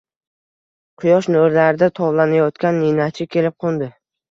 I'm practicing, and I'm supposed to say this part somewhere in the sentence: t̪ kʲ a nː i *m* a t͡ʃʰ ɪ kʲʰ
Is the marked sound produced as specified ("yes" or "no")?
no